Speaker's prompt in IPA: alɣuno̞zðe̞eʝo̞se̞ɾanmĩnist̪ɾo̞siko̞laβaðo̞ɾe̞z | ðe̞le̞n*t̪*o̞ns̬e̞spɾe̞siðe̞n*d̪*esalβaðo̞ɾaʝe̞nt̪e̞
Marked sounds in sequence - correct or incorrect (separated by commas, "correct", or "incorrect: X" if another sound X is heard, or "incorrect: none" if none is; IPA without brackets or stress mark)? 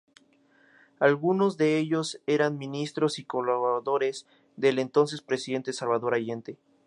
correct, incorrect: t̪